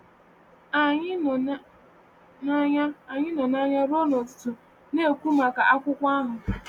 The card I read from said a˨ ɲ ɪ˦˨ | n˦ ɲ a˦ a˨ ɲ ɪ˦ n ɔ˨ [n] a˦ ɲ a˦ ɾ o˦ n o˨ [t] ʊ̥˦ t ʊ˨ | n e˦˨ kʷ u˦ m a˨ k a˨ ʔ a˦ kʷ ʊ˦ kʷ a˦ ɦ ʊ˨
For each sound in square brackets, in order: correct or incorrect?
correct, correct

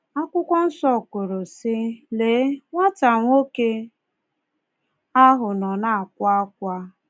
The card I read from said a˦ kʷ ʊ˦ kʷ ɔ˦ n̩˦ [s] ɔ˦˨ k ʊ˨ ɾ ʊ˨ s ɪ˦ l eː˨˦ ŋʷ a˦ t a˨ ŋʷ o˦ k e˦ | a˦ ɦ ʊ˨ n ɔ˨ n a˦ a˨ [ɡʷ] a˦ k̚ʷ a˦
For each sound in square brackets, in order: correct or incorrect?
correct, incorrect: kʷ

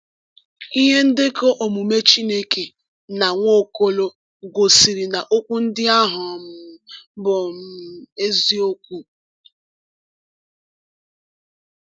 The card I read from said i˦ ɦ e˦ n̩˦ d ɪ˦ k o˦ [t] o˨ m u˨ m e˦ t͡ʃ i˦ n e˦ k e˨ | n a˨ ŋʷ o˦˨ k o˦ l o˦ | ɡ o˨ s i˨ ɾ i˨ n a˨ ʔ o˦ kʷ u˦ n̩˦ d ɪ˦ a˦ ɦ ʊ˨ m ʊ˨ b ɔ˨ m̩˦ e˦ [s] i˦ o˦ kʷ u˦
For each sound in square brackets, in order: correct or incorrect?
incorrect: ʔ, incorrect: z

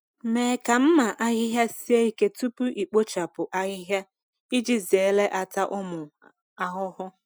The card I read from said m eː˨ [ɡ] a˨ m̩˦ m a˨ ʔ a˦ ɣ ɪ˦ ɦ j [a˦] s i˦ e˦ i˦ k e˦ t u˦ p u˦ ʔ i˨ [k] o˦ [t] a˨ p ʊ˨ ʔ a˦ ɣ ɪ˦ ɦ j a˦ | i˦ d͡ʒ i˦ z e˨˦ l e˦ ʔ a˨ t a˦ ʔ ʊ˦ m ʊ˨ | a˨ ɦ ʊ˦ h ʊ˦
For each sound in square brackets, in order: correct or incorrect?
incorrect: k, correct, incorrect: k͡p, incorrect: t͡ʃ

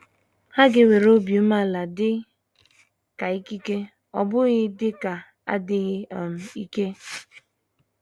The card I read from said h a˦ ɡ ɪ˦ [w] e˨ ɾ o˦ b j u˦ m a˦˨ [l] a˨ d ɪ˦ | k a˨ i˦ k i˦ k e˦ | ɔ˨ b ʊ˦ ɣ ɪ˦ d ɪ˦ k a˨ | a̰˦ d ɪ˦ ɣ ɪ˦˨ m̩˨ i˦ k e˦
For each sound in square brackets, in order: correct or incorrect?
correct, correct

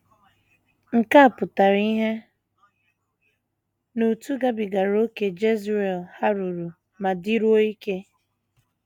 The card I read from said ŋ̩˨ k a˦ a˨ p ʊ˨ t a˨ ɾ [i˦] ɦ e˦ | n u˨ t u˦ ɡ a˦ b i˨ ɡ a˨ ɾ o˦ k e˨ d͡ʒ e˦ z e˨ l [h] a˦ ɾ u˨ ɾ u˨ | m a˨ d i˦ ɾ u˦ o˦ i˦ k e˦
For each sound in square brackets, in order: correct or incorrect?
correct, correct

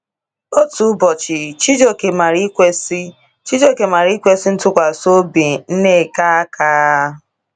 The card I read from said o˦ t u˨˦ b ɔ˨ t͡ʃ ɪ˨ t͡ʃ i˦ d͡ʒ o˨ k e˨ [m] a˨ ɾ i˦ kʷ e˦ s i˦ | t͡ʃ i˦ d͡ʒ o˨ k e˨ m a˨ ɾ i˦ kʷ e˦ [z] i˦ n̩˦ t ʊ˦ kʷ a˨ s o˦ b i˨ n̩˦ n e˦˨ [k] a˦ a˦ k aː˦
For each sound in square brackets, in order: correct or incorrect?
correct, incorrect: s, correct

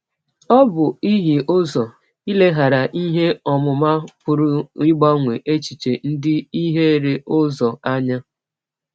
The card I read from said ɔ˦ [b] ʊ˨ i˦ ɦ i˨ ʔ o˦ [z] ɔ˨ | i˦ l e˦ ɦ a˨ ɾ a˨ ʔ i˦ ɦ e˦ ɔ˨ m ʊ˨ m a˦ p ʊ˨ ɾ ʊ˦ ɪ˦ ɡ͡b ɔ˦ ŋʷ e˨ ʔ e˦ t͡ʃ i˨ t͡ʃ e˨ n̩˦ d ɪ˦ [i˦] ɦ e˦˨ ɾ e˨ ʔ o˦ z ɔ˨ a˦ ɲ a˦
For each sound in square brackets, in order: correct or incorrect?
correct, correct, correct

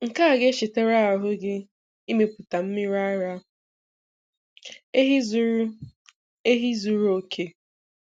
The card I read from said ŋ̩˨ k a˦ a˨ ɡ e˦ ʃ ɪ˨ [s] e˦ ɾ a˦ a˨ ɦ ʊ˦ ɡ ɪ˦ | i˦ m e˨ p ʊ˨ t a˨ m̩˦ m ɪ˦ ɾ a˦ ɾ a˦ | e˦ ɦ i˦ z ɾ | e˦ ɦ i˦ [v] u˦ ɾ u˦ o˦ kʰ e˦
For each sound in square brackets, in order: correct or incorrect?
incorrect: t, incorrect: z

